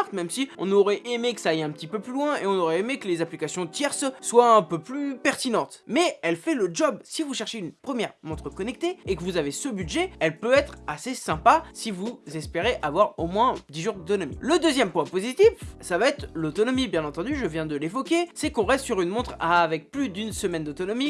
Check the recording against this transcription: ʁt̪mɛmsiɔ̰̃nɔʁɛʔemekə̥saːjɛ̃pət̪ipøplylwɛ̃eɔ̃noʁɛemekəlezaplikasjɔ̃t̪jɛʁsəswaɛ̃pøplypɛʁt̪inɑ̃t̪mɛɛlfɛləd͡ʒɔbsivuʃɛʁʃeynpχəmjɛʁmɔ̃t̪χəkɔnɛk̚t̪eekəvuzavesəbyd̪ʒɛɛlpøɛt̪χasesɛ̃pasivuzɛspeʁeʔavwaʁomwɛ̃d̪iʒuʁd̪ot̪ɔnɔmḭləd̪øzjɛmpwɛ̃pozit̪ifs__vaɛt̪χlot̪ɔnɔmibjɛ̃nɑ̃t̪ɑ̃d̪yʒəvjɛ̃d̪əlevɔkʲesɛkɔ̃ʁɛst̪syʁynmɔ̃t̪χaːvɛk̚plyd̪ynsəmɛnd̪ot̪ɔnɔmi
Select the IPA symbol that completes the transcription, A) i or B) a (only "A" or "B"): B